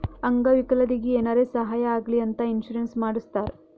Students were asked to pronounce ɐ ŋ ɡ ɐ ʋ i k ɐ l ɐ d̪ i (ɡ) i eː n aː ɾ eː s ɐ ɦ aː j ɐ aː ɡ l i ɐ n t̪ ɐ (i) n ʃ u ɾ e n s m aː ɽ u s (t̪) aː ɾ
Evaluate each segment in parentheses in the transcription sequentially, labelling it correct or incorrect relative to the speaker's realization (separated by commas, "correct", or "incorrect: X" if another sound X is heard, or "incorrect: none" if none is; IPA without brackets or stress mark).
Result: correct, correct, correct